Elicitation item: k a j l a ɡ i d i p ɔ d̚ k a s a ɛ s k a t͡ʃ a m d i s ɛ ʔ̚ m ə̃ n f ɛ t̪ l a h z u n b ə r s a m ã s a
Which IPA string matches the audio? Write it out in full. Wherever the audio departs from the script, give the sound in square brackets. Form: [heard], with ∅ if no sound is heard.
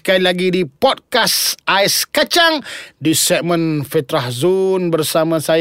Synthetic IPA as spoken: k a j l a ɡ i d i p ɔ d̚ k a s a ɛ s k a t͡ʃ a [ŋ] d i s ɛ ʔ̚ m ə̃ n f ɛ t̪ [ɾ] a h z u n b ə r s a m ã s a